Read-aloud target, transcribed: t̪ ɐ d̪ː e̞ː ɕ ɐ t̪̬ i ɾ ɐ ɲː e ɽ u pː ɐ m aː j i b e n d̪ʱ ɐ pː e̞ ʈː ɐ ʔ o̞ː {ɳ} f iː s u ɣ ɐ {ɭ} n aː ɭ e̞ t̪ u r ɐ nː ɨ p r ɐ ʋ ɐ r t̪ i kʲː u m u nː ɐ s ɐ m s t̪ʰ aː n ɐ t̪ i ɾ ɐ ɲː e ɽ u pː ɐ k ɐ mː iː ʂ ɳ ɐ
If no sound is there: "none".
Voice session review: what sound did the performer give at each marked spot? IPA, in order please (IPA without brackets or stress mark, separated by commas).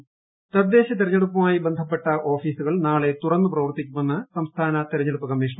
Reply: none, ɭ